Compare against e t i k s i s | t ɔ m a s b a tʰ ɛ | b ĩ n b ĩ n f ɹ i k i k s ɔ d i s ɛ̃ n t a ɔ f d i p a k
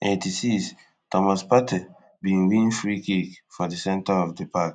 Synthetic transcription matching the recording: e t i s i s | t ɔ m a s p a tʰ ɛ | b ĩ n w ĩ n f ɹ i k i k f ɔ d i s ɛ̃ n t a ɔ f d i p a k